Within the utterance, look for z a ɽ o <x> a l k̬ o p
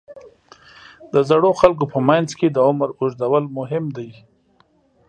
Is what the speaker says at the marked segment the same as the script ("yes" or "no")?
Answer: yes